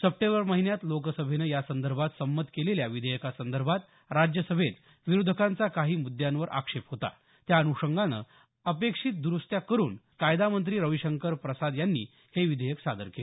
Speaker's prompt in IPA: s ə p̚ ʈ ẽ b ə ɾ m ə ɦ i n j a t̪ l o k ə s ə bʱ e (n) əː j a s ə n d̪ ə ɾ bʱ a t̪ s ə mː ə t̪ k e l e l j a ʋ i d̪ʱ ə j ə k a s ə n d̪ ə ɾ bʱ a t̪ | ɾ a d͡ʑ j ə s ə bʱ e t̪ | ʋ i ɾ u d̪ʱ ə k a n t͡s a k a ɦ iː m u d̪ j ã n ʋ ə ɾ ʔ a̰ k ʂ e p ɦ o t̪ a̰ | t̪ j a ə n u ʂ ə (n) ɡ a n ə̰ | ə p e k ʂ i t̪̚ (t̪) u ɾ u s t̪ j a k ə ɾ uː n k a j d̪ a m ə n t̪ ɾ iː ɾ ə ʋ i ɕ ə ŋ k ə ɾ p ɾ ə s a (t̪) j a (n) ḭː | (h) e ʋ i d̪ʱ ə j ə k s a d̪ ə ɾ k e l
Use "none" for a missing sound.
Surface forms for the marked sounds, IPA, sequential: n, ŋ, d̪, d̪, nː, h

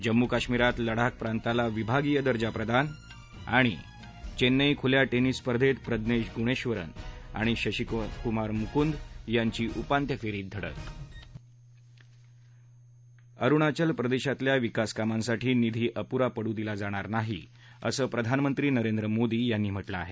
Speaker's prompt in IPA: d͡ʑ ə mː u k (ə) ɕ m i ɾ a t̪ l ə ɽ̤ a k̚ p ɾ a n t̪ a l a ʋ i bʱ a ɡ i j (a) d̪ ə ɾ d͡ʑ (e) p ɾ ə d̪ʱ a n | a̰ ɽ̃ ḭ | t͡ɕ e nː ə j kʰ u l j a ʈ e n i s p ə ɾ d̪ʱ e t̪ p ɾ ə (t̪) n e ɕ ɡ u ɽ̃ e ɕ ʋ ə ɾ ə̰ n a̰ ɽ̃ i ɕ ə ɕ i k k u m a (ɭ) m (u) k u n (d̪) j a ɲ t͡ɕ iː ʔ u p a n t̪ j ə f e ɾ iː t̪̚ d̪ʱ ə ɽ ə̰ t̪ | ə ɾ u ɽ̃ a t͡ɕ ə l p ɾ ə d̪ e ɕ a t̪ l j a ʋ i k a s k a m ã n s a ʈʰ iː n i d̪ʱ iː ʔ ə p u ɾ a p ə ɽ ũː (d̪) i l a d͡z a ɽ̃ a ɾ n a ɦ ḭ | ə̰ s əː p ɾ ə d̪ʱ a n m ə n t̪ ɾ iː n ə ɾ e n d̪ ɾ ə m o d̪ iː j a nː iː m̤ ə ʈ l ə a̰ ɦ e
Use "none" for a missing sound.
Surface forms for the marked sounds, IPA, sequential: a, ə, a, d̪, ɾ, u, d̪, d̪

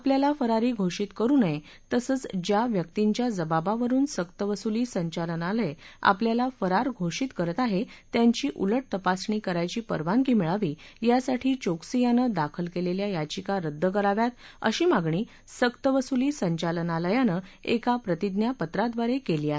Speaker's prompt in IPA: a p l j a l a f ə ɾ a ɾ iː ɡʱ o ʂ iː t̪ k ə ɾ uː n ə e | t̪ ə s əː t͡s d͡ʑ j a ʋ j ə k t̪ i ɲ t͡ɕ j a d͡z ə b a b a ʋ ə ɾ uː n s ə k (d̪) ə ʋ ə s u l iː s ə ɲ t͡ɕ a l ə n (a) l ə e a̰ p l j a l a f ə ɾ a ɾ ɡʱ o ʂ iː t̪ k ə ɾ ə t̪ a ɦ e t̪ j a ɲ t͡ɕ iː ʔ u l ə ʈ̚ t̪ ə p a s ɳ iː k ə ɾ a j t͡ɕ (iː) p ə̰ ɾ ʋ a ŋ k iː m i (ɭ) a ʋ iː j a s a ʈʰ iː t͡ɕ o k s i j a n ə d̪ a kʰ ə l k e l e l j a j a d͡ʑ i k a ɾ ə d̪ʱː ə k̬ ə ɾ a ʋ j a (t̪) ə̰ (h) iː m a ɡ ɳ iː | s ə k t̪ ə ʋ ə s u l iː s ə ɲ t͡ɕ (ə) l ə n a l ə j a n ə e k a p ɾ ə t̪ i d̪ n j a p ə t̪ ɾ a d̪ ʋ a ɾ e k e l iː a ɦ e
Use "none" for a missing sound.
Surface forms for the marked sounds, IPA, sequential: t̪, a, iː, ɭ, t̪, ɕ, a

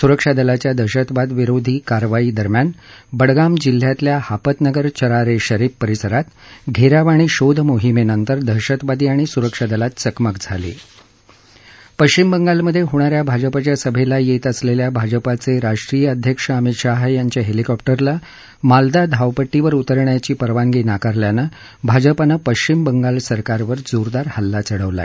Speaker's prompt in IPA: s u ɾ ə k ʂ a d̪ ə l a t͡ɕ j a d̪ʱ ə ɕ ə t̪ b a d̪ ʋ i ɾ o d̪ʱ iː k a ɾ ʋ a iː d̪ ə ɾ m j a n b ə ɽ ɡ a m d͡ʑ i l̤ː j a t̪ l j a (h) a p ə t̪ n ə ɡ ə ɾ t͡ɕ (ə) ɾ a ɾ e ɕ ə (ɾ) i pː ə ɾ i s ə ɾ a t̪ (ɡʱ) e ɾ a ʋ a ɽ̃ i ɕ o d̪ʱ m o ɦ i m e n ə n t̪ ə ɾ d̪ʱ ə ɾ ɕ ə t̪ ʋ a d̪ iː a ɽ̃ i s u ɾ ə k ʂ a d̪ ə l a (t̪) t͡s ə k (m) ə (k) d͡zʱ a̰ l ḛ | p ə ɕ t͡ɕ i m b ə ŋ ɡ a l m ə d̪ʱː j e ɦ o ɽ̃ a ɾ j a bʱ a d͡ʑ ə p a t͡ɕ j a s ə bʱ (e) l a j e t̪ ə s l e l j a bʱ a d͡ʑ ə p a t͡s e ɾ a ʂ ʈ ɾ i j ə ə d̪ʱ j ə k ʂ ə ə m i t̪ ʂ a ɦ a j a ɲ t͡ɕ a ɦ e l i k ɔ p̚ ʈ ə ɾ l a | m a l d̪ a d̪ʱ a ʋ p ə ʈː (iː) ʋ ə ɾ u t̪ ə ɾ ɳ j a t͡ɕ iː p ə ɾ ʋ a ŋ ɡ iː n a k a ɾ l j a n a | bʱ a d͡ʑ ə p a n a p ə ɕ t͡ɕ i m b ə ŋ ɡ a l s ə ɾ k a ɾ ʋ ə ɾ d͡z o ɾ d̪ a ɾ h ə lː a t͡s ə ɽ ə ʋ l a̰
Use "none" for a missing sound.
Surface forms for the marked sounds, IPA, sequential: h, ə, ɾ, ɡʱ, t̪, m, k, e, i

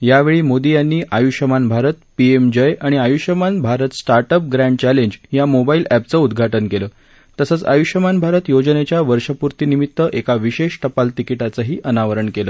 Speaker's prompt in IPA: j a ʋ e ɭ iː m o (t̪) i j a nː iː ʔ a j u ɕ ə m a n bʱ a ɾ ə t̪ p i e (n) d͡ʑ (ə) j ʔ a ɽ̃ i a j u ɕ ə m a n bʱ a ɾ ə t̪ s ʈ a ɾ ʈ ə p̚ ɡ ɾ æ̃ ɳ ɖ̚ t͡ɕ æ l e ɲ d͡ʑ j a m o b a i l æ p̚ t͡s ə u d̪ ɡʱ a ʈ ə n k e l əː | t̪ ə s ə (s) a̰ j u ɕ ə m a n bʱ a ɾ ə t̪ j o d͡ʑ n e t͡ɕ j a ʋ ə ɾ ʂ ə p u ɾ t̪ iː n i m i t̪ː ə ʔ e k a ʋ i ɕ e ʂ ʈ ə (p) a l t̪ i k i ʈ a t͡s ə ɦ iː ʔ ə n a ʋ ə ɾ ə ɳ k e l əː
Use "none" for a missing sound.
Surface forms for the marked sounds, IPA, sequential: d̪, m, ə, t͡s, p

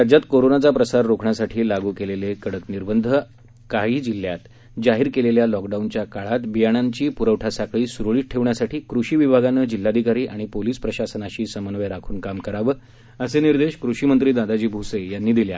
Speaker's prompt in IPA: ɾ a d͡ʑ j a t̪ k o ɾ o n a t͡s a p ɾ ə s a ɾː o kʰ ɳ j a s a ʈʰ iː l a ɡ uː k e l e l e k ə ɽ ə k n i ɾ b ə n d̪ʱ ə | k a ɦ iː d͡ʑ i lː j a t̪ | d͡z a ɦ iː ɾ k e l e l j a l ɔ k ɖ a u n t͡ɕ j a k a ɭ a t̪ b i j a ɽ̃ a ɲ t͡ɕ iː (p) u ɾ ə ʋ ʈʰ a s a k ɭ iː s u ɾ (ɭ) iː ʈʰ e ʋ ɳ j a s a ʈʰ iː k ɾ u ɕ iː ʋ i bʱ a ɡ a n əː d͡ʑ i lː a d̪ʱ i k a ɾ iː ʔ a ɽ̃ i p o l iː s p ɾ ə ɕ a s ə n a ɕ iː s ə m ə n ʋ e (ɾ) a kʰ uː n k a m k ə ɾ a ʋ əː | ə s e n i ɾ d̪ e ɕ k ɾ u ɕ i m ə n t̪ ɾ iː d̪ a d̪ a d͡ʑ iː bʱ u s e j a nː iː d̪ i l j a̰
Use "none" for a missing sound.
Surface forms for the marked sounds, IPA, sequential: p, ɭ, ɾ

